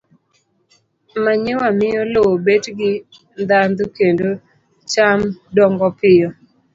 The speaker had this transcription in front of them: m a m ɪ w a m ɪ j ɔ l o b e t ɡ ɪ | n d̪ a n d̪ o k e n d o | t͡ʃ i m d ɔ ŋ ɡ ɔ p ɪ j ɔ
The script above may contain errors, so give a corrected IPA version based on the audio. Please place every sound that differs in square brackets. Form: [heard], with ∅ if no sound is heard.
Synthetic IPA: m a [ɲ] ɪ w a m ɪ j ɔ l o b e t ɡ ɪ | n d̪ a n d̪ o k e n d o | t͡ʃ [a] m d ɔ ŋ ɡ ɔ p ɪ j ɔ